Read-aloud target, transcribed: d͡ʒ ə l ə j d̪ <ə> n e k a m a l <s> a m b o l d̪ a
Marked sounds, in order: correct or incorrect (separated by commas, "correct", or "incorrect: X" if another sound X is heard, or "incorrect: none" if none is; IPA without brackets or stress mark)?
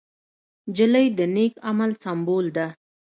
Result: correct, correct